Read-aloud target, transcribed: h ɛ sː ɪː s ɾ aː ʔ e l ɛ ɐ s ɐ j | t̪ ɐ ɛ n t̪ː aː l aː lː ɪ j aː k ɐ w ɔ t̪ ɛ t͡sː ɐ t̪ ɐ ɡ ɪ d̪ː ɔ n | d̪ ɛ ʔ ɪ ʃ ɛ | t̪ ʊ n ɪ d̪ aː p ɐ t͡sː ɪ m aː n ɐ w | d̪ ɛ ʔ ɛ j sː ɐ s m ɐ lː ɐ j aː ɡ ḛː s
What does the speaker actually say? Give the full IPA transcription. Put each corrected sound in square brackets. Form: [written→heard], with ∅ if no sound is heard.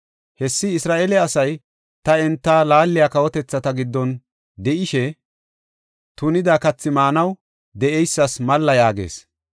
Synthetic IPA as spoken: h ɛ sː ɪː s ɾ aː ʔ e l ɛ ɐ s ɐ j | t̪ ɐ ɛ n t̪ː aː l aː lː ɪ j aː k ɐ w ɔ t̪ ɛ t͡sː ɐ t̪ ɐ ɡ ɪ d̪ː ɔ n | d̪ ɛ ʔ ɪ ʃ ɛ | t̪ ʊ n ɪ d̪ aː [p→k] ɐ t͡sː ɪ m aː n ɐ w | d̪ ɛ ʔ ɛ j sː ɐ s m ɐ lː ɐ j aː ɡ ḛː s

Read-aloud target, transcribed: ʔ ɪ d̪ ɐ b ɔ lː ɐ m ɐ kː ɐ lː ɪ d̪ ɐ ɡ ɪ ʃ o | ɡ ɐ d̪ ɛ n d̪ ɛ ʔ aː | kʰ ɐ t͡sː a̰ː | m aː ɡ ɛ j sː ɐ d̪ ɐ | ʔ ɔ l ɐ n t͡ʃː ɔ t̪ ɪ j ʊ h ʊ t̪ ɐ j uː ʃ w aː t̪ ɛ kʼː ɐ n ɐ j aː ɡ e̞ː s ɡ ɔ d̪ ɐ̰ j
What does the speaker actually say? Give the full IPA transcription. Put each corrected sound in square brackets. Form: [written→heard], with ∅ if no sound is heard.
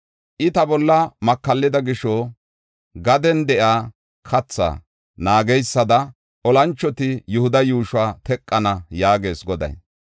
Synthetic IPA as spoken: ʔ ɪ [d̪→t̪] ɐ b ɔ lː ɐ m ɐ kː ɐ lː ɪ d̪ ɐ ɡ ɪ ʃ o | ɡ ɐ d̪ ɛ n d̪ ɛ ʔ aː | kʰ ɐ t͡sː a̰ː | [m→n] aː ɡ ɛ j sː ɐ d̪ ɐ | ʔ ɔ l ɐ n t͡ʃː ɔ t̪ ɪ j ʊ h ʊ [t̪→d̪] ɐ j uː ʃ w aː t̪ ɛ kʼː ɐ n ɐ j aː ɡ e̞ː s ɡ ɔ d̪ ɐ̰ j

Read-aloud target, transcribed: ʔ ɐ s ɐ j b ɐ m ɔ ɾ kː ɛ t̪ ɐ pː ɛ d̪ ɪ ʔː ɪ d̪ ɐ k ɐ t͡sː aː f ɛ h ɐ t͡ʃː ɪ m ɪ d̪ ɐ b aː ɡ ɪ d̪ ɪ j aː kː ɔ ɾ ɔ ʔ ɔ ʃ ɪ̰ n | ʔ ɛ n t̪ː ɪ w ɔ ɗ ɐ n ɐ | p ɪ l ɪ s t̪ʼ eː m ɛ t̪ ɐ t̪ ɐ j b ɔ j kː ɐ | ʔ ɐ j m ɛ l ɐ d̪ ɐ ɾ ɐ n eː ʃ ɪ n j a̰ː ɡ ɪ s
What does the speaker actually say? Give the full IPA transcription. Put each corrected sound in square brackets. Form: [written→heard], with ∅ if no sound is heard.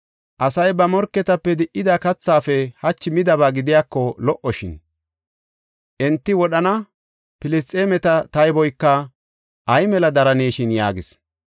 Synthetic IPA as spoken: ʔ ɐ s ɐ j b ɐ m ɔ ɾ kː ɛ t̪ ɐ pː ɛ d̪ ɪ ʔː ɪ d̪ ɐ k ɐ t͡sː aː f ɛ h ɐ t͡ʃː ɪ m ɪ d̪ ɐ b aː ɡ ɪ d̪ ɪ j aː kː ɔ [ɾ→l] ɔ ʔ ɔ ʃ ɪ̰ n | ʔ ɛ n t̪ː ɪ w ɔ ɗ ɐ n ɐ | p ɪ l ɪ s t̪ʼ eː m ɛ t̪ ɐ t̪ ɐ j b ɔ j kː ɐ | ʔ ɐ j m ɛ l ɐ d̪ ɐ ɾ ɐ n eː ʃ ɪ n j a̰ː ɡ ɪ s

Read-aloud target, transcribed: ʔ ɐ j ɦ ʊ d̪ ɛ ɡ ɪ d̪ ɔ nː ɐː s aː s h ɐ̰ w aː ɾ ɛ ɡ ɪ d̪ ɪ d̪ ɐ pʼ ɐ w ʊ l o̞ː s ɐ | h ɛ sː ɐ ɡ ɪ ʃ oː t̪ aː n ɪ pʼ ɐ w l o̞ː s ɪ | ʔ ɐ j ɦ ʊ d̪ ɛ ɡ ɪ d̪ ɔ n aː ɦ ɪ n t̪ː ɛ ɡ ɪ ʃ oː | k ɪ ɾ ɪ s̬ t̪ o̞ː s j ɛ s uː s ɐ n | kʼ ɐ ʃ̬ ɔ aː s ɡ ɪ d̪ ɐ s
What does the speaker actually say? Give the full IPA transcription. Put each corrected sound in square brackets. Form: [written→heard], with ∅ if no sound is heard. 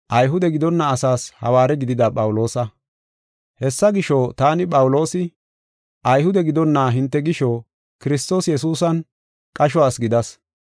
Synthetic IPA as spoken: ʔ ɐ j ɦ ʊ d̪ ɛ ɡ ɪ d̪ ɔ nː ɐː s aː s h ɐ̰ w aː ɾ ɛ ɡ ɪ d̪ ɪ d̪ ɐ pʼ ɐ w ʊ l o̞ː s ɐ | h ɛ sː ɐ ɡ ɪ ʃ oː t̪ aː n ɪ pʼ ɐ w l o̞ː s ɪ | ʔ ɐ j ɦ ʊ d̪ ɛ ɡ ɪ d̪ ɔ [n→nː] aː ɦ ɪ n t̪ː ɛ ɡ ɪ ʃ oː | k ɪ ɾ ɪ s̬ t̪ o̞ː s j ɛ s uː s ɐ n | kʼ ɐ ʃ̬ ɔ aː s ɡ ɪ d̪ ɐ s

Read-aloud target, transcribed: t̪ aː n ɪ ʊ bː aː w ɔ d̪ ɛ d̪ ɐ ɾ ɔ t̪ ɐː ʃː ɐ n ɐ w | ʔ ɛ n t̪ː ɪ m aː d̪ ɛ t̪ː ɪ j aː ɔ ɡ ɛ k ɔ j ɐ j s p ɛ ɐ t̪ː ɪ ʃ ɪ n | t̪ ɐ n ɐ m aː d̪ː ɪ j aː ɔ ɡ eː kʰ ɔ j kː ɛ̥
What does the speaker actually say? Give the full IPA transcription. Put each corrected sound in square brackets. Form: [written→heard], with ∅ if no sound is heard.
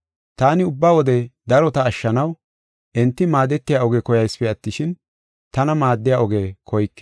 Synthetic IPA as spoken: t̪ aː n ɪ ʊ bː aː w ɔ d̪ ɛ d̪ ɐ ɾ ɔ t̪ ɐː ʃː ɐ n ɐ w | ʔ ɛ n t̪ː ɪ m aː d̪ ɛ t̪ː ɪ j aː ɔ ɡ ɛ k ɔ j ɐ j s p ɛ ɐ t̪ː ɪ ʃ ɪ n | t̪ ɐ n ɐ m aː d̪ː ɪ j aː ɔ ɡ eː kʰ ɔ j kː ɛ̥

